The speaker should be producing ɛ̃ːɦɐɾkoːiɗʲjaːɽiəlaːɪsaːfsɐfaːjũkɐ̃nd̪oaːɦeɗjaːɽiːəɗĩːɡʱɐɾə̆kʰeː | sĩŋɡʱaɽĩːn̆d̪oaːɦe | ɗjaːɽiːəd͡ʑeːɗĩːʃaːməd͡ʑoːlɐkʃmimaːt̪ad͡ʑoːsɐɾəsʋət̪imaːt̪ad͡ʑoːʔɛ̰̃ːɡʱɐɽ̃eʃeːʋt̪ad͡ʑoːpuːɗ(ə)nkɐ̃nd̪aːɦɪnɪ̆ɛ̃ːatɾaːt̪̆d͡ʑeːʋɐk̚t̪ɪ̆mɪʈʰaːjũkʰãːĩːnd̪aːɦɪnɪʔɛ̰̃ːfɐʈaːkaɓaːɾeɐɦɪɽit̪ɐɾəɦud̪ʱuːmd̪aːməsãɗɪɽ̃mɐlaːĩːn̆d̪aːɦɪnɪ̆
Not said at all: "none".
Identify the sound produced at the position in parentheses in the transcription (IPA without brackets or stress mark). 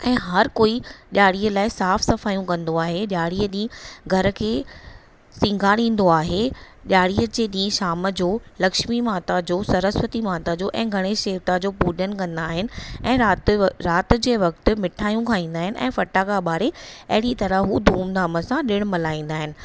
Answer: ə